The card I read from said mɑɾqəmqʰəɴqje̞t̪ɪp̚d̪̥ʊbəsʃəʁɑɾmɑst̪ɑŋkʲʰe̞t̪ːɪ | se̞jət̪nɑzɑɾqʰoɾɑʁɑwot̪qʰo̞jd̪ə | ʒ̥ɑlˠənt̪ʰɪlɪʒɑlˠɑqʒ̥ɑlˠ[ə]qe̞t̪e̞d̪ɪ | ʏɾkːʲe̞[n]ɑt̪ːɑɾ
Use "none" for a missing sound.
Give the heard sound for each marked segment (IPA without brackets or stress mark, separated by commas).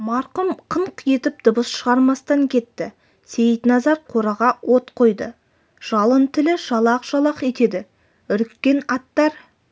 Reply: ɑ, n